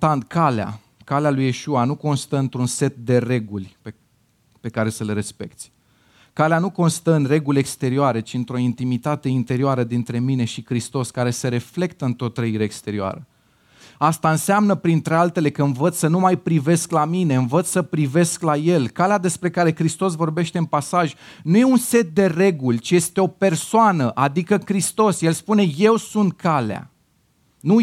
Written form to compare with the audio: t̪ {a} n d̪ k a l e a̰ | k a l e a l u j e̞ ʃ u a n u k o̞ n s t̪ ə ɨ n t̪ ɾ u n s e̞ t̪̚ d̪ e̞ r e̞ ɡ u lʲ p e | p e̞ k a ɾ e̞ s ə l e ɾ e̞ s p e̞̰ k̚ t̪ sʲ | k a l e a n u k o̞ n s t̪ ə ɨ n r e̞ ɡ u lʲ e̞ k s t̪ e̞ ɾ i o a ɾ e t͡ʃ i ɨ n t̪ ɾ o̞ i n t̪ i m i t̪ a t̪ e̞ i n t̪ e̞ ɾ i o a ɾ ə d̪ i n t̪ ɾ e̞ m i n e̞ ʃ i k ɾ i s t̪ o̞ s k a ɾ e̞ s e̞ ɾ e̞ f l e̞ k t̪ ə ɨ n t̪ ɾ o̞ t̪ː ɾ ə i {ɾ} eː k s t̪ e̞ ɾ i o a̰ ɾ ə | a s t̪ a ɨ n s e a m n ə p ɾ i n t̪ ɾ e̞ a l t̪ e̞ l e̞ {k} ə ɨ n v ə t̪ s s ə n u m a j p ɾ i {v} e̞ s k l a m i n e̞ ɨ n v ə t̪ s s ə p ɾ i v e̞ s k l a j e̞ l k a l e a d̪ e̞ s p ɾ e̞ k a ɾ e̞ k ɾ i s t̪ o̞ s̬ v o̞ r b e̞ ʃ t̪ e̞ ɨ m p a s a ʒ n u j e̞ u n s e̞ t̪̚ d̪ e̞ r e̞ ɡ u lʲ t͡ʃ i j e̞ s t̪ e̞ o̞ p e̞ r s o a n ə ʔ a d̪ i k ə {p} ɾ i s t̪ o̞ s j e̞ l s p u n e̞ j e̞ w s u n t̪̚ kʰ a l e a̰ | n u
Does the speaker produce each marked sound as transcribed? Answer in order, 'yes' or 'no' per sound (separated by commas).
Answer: yes, yes, yes, yes, no